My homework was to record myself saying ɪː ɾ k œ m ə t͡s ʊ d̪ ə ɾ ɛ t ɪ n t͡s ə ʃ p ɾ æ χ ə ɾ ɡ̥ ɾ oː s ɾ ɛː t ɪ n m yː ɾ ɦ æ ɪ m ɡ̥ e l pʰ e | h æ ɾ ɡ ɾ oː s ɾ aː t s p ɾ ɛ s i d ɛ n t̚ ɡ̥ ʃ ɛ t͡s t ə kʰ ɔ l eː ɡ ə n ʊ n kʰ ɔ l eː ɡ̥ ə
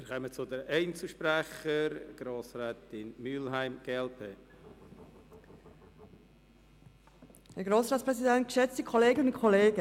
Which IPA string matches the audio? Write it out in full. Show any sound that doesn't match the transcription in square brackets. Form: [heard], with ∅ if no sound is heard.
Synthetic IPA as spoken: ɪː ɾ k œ m ə t͡s ʊ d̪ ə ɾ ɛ [∅] ɪ n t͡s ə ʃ p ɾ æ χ ə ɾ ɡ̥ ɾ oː s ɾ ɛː t ɪ n m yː [l] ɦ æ ɪ m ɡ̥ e l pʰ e | h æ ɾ ɡ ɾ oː s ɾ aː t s p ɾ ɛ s i d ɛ n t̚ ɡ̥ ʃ ɛ t͡s t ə kʰ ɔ l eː ɡ ə n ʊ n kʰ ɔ l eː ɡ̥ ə